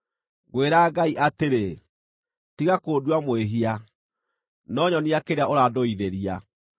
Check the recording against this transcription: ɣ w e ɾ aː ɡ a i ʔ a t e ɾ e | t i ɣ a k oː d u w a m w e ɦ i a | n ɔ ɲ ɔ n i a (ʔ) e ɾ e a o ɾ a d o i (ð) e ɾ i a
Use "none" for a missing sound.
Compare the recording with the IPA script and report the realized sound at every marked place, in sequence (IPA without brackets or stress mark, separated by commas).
k, ð